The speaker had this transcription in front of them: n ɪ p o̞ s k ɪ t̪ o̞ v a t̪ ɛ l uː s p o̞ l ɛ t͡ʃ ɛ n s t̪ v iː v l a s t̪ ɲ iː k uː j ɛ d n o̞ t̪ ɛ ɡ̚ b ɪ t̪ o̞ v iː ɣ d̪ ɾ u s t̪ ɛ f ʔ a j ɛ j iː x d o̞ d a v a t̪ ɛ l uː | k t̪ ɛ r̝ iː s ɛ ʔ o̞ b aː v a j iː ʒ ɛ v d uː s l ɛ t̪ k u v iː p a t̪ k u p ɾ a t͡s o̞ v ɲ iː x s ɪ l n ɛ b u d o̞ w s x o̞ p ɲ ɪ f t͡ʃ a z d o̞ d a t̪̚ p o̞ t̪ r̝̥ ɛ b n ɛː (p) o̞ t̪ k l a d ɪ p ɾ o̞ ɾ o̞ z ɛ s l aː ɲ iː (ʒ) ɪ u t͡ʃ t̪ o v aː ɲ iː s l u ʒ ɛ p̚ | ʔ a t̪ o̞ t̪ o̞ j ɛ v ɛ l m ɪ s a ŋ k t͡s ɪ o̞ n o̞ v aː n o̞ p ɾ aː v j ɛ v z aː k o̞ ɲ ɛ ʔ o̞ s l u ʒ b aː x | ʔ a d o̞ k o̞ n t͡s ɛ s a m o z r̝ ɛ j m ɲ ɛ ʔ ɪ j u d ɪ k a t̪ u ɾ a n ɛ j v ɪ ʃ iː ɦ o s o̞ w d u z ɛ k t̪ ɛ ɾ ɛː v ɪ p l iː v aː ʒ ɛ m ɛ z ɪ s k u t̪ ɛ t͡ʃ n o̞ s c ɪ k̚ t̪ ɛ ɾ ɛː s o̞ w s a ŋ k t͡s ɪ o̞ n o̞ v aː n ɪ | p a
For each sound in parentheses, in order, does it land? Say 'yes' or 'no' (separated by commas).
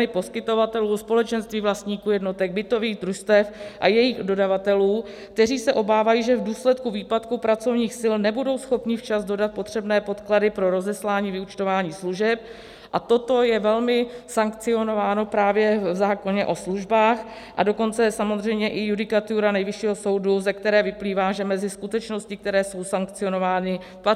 yes, no